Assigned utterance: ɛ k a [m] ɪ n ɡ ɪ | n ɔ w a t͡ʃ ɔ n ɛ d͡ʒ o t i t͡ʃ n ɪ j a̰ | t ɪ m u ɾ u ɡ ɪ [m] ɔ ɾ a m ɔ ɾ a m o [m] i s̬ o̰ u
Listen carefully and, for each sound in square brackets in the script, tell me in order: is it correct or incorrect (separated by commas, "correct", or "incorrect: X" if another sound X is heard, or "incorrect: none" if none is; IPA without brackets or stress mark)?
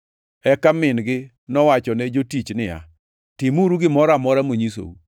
correct, correct, incorrect: ɲ